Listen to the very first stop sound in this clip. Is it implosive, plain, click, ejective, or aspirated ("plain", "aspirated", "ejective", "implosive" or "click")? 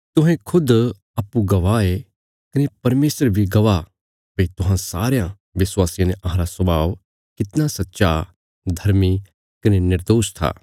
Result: plain